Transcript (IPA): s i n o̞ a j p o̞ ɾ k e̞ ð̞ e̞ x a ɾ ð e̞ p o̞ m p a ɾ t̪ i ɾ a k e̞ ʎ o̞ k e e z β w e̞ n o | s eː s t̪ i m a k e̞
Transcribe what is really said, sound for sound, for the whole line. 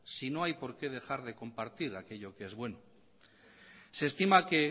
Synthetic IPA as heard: s i n o̞ a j p o̞ ɾ k e̞ ð̞ e̞ x a ɾ ð e̞ k o̞ m p a ɾ t̪ i ɾ a k e̞ ʎ o̞ k e e z β w e̞ n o | s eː s t̪ i m a k e̞